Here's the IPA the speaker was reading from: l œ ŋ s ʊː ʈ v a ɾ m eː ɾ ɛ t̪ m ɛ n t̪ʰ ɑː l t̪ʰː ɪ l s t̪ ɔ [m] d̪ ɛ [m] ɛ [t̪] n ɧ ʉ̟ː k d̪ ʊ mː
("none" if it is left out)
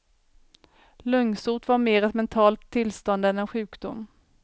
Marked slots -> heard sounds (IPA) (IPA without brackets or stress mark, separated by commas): n, n, none